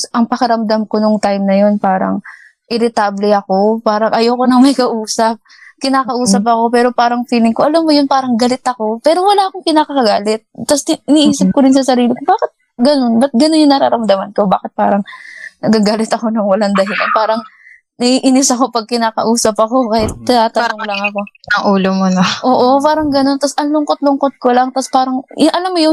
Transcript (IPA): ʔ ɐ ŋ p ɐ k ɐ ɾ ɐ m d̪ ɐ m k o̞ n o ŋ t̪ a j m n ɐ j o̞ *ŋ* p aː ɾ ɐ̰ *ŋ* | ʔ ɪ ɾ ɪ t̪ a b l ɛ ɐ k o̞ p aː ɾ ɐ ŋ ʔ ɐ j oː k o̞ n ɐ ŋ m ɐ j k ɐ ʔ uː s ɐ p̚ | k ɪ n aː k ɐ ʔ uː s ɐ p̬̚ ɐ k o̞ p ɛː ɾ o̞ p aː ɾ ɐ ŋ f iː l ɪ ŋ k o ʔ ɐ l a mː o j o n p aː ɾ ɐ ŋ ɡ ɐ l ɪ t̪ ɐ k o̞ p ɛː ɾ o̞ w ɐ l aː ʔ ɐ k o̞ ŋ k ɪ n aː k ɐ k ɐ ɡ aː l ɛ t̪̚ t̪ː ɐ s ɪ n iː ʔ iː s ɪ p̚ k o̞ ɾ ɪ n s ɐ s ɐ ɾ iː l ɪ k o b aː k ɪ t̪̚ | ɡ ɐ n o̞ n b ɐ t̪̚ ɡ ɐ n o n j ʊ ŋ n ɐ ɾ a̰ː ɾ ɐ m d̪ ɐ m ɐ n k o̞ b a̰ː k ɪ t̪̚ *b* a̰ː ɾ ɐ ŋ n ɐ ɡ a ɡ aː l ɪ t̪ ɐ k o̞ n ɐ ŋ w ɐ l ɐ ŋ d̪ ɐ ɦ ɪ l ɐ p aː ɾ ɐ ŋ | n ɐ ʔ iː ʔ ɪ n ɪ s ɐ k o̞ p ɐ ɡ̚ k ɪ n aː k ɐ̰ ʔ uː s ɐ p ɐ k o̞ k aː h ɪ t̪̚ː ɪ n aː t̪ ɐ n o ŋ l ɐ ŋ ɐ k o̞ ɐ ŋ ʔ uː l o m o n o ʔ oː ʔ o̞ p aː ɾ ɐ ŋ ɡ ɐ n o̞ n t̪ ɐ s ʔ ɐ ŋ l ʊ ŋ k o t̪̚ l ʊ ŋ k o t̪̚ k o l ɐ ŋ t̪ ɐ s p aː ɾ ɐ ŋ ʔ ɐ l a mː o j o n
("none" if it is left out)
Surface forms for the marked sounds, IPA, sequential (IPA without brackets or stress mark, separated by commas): n, ŋ, p